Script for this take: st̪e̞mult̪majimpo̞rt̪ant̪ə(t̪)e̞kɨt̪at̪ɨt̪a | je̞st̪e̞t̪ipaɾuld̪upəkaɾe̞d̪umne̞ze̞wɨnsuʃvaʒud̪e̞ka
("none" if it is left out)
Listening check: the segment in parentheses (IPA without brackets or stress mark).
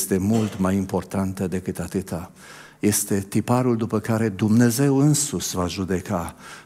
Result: d̪